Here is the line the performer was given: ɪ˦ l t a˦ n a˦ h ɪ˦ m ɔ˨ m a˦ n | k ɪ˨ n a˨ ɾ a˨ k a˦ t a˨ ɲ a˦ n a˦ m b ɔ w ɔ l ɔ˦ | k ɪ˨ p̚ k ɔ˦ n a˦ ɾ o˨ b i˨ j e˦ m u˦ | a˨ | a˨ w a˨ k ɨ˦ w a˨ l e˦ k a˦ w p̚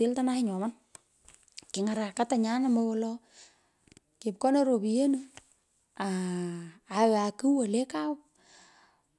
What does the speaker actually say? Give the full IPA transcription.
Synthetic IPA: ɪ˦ l t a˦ n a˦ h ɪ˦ ɲ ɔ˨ m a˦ n | k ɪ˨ ŋ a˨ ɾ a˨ k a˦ t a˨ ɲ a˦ n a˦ m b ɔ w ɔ l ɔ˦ | k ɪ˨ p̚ k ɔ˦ n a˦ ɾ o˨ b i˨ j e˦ n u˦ | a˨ | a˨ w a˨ k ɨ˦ w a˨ l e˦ k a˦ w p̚